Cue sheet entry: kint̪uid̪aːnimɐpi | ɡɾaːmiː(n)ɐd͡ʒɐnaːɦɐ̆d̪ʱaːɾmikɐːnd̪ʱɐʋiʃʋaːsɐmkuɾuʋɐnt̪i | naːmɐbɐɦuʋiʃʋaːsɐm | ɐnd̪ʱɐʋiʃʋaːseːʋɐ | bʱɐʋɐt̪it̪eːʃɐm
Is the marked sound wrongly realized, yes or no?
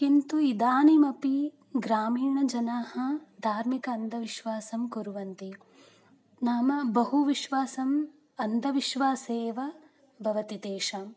yes